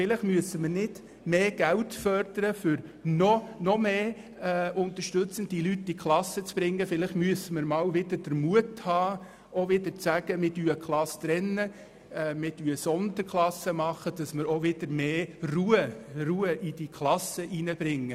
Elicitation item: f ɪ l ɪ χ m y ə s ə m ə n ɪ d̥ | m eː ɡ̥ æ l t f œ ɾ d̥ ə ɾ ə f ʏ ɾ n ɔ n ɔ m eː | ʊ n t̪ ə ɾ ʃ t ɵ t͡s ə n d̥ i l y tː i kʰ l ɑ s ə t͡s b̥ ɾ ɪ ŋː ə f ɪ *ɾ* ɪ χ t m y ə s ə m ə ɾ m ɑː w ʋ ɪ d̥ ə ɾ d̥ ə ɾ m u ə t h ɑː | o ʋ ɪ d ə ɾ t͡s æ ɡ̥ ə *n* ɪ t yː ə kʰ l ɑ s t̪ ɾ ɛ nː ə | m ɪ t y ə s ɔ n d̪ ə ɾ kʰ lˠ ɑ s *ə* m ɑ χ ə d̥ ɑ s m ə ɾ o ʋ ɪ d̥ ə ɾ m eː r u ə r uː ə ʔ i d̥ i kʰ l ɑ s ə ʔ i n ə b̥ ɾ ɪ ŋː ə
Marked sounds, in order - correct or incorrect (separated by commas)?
incorrect, incorrect, correct